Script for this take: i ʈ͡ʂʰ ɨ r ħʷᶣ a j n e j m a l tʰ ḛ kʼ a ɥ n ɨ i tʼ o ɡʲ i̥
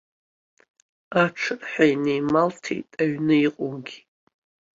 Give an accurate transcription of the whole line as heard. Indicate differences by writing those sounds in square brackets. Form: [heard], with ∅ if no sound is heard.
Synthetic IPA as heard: [a] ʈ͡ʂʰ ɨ r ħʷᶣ a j n e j m a l tʰ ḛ [tʼ] a ɥ n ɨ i [qʼ] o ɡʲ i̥